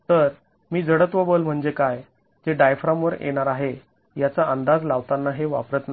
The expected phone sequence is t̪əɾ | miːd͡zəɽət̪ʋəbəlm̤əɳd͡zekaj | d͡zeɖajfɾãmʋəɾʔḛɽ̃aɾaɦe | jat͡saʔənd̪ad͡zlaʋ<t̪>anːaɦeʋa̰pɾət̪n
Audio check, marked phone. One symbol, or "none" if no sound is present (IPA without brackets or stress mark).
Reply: t̪